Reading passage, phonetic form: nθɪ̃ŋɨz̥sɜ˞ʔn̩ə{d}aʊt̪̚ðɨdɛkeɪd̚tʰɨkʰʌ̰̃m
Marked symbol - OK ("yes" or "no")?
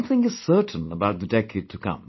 no